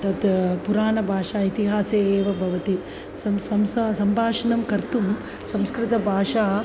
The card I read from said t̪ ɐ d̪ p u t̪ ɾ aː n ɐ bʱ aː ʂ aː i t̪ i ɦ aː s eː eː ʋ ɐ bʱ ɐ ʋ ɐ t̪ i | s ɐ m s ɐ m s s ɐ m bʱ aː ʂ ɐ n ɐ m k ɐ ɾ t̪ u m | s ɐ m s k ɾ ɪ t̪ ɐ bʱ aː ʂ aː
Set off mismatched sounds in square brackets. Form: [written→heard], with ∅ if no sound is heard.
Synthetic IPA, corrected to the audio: t̪ ɐ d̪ p u [t̪→∅] ɾ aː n ɐ bʱ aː ʂ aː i t̪ i ɦ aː s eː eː ʋ ɐ bʱ ɐ ʋ ɐ t̪ i | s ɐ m s ɐ m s s ɐ m bʱ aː ʂ ɐ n ɐ m k ɐ ɾ t̪ u m | s ɐ m s k ɾ ɪ t̪ ɐ bʱ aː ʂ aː